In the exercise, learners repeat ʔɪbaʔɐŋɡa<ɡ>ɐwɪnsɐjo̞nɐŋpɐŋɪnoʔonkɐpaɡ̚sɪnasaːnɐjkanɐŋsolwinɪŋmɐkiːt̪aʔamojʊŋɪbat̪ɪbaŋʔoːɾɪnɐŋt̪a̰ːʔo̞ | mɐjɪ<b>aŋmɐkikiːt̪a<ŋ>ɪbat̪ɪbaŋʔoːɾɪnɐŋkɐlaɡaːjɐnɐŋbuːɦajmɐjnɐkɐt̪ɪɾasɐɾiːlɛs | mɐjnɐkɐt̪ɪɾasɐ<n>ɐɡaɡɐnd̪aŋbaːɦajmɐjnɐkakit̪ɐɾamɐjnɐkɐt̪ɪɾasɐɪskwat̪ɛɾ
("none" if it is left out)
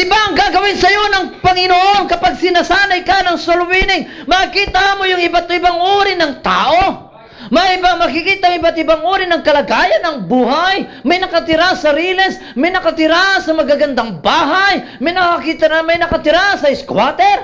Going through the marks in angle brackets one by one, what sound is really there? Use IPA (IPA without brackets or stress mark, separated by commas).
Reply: ɡ, b, ŋ, m